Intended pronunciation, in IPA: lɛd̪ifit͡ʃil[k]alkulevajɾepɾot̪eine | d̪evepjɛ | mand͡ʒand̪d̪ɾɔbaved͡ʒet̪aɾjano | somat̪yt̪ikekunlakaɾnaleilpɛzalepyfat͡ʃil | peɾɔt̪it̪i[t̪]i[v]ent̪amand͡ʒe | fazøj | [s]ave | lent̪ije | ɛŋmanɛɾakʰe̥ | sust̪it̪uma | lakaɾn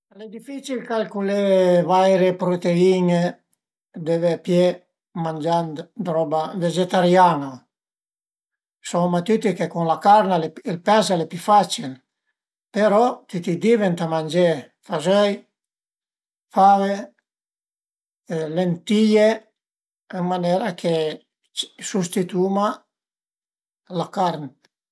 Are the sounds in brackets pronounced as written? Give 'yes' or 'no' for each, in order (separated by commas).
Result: yes, no, yes, no